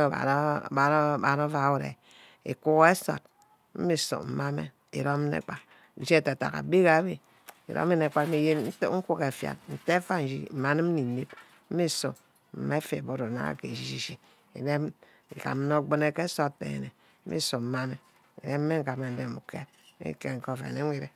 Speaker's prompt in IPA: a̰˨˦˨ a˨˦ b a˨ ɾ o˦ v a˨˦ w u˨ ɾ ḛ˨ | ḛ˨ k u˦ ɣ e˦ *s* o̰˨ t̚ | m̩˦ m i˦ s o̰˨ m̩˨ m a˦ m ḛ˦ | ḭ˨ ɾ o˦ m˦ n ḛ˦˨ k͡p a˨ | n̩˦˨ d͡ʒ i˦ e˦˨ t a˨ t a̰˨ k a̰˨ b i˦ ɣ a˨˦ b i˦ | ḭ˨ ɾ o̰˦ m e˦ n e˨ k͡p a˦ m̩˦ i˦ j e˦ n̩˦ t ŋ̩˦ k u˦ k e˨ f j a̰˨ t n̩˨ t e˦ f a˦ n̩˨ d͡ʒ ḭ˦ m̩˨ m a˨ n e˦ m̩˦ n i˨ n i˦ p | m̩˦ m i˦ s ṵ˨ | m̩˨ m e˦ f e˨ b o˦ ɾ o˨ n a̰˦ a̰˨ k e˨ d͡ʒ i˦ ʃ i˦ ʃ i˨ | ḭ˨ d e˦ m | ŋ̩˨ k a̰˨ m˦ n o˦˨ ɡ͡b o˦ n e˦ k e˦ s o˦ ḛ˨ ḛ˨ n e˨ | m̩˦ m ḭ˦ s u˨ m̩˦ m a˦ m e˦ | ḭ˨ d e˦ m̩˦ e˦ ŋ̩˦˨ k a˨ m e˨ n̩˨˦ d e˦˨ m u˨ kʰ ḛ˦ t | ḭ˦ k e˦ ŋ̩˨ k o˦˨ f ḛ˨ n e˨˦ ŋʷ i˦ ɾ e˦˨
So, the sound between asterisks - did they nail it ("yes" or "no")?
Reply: yes